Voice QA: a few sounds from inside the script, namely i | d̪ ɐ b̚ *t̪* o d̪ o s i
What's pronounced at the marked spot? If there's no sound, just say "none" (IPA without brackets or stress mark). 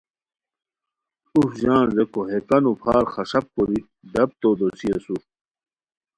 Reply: t̪